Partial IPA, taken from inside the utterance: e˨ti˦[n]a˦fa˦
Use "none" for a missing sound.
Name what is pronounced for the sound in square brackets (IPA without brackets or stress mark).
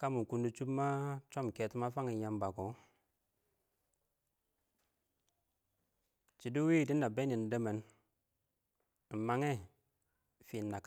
m